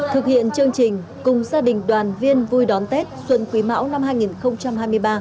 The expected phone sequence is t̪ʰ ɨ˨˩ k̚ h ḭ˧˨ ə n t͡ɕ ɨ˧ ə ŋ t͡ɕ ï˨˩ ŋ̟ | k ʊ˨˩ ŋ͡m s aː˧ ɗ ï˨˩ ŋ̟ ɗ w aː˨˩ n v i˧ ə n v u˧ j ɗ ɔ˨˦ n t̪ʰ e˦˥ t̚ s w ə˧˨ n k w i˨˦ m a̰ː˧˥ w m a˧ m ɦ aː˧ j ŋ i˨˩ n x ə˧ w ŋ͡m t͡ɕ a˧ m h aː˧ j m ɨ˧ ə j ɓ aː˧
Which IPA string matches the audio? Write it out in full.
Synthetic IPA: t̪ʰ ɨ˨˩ k̚ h ḭ˧˨ ə n t͡ɕ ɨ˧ ə ŋ t͡ɕ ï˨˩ ŋ̟ | k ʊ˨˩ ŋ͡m z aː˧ ɗ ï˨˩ ŋ̟ ɗ w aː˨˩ n v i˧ ə n v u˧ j ɗ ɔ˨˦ n t̪ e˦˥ t̚ s w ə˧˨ n k w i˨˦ m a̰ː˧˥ w n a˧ m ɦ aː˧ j ŋ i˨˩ n x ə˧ w ŋ͡m t͡ɕ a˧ m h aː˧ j m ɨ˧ ə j ɓ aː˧